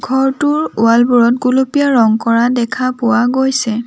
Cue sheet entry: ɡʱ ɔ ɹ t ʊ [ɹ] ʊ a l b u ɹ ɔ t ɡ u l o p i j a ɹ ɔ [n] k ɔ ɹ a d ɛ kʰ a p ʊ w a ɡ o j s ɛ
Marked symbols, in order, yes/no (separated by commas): yes, no